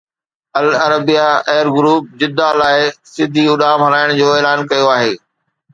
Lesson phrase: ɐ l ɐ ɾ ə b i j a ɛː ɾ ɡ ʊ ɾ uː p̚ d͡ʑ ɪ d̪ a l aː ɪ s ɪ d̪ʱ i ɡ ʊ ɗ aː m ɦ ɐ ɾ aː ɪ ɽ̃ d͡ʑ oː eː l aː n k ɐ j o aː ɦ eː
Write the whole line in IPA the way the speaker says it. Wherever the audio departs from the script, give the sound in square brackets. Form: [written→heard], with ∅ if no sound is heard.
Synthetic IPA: ɐ l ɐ ɾ ə b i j a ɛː ɾ ɡ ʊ ɾ uː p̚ d͡ʑ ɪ d̪ a l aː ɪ s ɪ d̪ʱ i [ɡ→∅] ʊ ɗ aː m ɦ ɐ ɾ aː ɪ ɽ̃ d͡ʑ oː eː l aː n k ɐ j o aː ɦ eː